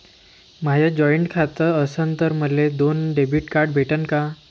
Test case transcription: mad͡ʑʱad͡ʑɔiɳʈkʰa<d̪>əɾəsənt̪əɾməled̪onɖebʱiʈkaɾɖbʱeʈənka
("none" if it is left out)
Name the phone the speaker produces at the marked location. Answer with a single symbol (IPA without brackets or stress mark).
t̪